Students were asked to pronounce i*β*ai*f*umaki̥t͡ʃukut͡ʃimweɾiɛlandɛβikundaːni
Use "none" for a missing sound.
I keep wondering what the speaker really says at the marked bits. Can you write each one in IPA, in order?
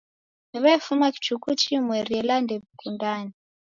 β, f

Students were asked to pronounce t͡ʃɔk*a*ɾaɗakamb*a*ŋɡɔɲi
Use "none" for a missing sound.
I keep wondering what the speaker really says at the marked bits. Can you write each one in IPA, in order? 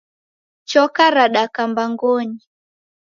a, a

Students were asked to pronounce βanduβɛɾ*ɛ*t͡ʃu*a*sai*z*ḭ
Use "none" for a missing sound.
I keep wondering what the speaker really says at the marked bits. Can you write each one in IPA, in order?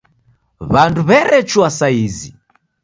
ɛ, a, z

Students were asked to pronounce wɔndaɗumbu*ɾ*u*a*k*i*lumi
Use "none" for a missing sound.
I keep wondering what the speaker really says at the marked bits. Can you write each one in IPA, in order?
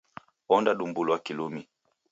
l, a, i

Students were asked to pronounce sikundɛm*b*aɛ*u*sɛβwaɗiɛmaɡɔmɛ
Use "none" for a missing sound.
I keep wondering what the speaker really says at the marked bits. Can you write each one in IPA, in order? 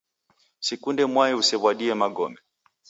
w, u

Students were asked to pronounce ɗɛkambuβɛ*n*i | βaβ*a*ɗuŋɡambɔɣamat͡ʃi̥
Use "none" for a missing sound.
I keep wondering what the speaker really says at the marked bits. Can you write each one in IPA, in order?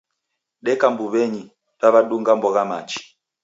ɲ, a

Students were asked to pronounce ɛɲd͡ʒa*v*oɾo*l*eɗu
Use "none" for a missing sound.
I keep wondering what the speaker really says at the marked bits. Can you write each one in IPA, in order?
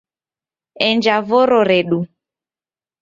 v, ɾ

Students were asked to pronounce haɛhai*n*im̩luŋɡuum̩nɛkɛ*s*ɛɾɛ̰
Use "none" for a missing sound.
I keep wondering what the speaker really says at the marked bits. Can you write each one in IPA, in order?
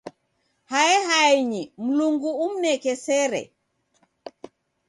ɲ, s

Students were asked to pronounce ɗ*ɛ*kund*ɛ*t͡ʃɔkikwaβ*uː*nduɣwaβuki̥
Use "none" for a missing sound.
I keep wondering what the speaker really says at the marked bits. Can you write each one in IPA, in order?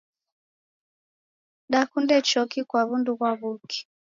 a, ɛ, u

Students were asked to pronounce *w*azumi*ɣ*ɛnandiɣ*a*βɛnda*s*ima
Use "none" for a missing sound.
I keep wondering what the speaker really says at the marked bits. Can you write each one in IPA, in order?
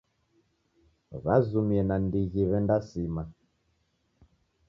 β, none, i, s

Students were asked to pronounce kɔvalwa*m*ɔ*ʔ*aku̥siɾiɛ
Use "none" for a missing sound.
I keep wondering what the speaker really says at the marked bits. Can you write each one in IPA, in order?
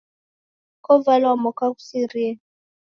m, k

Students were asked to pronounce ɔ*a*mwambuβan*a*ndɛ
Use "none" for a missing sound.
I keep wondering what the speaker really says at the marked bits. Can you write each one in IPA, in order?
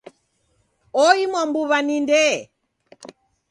i, i

